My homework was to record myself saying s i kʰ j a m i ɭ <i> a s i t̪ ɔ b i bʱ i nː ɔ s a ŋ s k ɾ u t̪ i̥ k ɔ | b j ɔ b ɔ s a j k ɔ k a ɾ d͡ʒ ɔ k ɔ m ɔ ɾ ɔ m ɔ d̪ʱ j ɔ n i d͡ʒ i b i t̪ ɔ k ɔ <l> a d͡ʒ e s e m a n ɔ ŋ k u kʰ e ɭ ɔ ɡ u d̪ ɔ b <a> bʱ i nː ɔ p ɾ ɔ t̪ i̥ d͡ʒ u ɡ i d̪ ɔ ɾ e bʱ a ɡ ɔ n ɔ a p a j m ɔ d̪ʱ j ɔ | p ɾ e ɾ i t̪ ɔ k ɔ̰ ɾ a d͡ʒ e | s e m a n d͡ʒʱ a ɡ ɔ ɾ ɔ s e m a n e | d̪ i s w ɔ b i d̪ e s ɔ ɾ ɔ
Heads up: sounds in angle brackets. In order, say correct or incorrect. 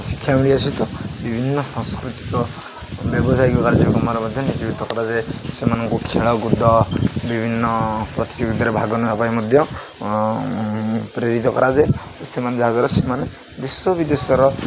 correct, incorrect: ɾ, incorrect: i

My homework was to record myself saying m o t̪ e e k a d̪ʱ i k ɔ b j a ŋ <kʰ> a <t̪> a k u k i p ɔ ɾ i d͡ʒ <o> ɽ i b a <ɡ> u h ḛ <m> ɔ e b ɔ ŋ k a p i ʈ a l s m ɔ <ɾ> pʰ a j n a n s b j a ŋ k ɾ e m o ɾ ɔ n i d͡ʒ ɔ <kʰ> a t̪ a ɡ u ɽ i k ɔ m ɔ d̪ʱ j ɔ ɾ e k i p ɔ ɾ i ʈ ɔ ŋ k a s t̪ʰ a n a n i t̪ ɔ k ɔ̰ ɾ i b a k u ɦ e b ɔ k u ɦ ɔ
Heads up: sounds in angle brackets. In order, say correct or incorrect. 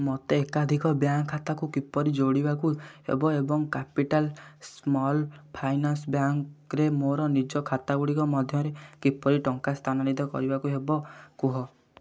correct, correct, correct, incorrect: k, incorrect: b, incorrect: l, correct

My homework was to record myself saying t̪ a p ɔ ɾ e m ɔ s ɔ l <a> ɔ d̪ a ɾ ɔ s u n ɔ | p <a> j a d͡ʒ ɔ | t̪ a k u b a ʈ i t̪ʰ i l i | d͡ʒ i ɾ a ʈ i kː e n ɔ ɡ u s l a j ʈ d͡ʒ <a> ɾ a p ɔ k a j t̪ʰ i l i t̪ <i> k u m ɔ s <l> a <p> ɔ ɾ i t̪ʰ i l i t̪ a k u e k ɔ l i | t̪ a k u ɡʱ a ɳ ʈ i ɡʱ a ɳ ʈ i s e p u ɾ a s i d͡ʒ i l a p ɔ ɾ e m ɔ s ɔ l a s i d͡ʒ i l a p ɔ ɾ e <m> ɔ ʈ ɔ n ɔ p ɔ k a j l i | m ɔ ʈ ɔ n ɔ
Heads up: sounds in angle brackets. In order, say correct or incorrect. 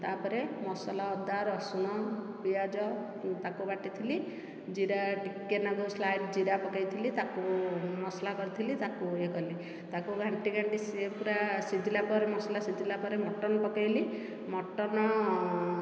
correct, incorrect: i, incorrect: i, incorrect: a, correct, incorrect: k, correct

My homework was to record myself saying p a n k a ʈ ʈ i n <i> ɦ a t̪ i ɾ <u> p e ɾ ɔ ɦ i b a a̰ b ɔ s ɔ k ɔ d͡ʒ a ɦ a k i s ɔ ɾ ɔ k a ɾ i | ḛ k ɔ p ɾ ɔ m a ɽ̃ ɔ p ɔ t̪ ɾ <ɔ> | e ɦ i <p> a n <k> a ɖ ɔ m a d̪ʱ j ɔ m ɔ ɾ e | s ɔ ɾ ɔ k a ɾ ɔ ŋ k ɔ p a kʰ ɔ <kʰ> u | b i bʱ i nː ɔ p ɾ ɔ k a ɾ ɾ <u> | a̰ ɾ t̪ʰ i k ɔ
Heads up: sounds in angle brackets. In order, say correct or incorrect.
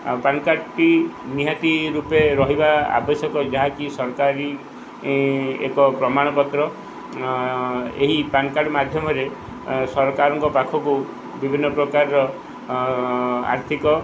correct, correct, correct, correct, correct, incorrect: k, incorrect: ɔ

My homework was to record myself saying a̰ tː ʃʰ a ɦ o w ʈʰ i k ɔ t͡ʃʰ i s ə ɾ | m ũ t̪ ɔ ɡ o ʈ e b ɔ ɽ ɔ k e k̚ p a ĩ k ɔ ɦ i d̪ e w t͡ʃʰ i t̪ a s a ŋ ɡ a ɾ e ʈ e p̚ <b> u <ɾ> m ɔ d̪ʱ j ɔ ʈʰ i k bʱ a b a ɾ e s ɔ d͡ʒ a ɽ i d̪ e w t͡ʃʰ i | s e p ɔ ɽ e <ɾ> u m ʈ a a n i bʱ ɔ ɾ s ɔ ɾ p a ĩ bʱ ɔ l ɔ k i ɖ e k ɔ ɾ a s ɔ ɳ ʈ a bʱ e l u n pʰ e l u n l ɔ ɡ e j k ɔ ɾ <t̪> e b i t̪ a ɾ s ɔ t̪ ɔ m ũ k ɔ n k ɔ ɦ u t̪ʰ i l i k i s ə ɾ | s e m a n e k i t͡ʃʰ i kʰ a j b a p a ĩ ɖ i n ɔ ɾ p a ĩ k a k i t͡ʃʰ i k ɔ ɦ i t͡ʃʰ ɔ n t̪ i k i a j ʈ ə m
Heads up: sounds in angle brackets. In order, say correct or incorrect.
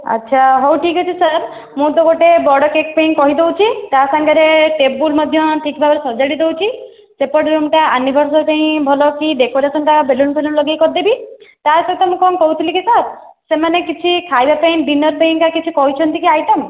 correct, incorrect: l, correct, incorrect: d̪

